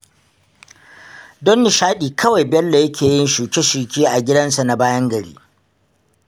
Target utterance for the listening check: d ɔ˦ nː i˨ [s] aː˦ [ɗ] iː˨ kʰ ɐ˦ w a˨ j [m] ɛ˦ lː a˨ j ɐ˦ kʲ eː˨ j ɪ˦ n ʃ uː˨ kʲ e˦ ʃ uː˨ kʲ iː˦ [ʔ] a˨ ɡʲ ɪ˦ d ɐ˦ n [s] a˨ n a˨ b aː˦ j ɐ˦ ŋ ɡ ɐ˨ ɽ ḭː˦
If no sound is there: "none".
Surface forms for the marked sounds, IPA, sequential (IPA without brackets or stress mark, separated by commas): ʃ, ɗ, b, ʔ, s